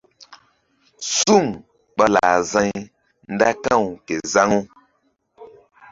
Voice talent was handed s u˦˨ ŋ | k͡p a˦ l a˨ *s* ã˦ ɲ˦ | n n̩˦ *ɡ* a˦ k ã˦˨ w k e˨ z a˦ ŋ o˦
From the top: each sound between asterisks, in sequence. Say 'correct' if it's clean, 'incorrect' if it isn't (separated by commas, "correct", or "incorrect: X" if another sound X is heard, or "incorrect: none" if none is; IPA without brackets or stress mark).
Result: incorrect: z, incorrect: d